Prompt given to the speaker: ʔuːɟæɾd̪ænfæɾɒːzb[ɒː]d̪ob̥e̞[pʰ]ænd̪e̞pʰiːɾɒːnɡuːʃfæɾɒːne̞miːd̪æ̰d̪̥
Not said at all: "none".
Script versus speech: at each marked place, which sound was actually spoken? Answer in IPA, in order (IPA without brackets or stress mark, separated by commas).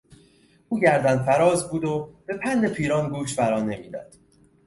uː, pʰ